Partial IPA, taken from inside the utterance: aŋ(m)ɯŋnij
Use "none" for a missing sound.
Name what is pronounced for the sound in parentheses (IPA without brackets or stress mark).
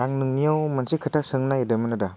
n